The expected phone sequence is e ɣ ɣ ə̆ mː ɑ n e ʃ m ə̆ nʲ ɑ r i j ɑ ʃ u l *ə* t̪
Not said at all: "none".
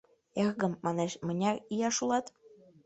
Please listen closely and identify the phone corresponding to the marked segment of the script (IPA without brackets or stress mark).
ɑ